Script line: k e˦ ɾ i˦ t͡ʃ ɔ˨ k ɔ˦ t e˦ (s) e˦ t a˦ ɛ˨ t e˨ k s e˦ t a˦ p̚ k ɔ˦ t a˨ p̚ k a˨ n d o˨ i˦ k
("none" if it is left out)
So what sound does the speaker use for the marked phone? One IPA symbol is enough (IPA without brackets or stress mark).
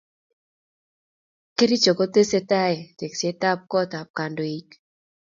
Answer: s